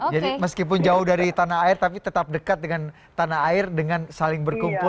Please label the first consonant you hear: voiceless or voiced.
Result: voiced